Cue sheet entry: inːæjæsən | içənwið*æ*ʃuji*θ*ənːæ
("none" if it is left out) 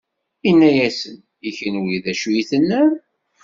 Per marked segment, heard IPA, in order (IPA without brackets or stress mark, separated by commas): æ, θ